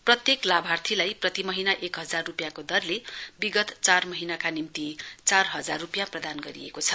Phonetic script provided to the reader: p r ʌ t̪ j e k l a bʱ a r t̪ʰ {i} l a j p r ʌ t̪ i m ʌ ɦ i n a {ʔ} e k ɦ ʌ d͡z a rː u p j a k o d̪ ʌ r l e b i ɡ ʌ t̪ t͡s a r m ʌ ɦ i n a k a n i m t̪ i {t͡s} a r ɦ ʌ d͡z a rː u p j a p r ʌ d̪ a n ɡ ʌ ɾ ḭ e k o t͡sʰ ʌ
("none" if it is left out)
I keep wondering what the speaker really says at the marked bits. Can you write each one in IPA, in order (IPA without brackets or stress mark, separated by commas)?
i, ʔ, t͡s